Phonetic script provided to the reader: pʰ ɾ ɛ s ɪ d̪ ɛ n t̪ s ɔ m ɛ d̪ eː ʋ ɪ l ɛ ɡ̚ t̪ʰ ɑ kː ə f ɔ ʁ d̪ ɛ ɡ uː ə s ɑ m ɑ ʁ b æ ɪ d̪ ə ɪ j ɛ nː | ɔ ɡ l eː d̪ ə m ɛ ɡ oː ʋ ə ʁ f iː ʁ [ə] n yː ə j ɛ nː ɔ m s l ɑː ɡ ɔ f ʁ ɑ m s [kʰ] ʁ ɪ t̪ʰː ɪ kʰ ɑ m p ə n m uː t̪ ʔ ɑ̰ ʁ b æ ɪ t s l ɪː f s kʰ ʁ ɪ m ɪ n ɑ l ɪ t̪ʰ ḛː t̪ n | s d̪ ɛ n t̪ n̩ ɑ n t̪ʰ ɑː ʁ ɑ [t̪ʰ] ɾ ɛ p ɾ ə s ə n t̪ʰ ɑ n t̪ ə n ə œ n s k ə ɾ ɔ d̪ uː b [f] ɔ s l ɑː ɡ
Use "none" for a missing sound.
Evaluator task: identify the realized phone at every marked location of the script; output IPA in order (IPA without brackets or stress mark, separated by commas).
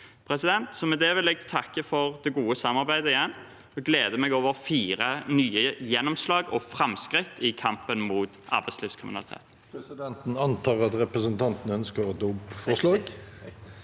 ə, k, t̪, f